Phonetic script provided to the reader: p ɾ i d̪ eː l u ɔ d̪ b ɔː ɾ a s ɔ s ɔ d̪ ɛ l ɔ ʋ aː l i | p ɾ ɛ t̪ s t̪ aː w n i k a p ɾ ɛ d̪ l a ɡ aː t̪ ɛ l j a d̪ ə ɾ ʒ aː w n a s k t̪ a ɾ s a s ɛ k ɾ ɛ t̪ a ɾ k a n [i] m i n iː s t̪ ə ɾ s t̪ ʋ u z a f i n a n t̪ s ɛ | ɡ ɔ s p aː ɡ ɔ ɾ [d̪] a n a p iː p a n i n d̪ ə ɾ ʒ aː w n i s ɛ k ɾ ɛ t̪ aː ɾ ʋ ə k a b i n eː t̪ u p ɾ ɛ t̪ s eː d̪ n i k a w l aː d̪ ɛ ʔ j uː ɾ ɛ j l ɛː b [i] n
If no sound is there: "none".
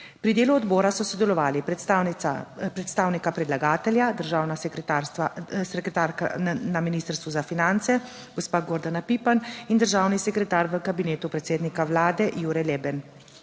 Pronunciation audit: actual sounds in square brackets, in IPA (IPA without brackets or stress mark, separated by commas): a, d̪, ɛ